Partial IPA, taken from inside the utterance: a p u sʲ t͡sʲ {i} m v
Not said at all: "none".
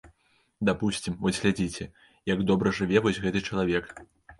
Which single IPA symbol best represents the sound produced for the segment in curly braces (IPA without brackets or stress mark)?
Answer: i